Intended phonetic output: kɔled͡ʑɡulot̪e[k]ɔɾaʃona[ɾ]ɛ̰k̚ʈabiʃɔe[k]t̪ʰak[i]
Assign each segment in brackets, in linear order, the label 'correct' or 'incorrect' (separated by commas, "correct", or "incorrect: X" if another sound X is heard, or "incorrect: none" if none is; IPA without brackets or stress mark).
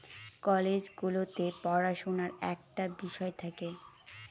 incorrect: p, correct, incorrect: none, incorrect: e